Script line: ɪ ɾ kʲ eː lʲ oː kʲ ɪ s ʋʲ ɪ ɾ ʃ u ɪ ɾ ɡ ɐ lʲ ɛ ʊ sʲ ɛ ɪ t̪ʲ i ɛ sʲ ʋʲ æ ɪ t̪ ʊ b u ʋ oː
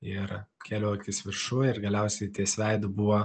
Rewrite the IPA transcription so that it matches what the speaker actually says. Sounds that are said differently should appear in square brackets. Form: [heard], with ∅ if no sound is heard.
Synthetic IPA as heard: ɪ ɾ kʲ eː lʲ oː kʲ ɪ s ʋʲ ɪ ɾ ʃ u ɪ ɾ ɡ ɐ lʲ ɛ ʊ sʲ ɛ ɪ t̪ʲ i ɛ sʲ ʋʲ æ ɪ [d̪] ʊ b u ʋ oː